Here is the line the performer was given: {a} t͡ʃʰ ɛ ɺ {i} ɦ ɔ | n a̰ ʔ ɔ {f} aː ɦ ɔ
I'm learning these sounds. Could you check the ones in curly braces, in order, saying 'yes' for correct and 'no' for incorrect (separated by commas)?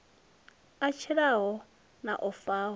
yes, no, yes